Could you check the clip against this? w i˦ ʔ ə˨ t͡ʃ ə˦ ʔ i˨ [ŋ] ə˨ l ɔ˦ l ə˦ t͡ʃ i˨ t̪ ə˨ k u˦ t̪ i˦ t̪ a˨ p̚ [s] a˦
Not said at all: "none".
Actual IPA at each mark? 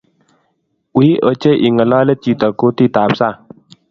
ŋ, s

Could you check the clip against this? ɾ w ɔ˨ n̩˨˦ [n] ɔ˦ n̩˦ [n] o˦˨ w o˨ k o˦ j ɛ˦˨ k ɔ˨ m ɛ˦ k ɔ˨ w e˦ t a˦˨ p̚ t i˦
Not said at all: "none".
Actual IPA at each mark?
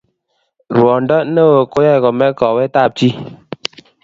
d, n

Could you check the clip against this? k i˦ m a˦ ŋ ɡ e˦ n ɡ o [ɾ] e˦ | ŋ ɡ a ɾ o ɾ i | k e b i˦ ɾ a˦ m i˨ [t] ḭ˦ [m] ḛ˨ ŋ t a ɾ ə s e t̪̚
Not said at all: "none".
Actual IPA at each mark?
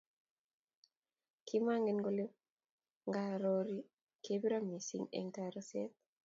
l, s, ŋ

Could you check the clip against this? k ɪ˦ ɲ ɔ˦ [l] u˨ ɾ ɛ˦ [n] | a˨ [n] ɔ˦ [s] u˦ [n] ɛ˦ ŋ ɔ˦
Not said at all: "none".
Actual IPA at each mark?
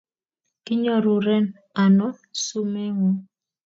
ɾ, n, n, s, m

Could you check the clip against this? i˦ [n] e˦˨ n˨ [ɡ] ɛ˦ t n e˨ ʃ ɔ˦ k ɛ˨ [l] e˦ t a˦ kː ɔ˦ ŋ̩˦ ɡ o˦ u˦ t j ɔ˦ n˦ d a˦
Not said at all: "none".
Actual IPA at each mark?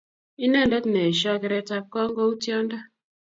n, d, ɾ

